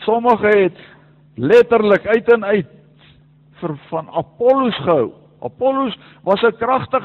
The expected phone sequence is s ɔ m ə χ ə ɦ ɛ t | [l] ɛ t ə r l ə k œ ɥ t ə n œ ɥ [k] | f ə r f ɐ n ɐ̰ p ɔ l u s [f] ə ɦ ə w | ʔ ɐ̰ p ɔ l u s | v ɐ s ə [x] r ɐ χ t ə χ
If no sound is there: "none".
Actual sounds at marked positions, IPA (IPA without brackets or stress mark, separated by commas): l, t, χ, k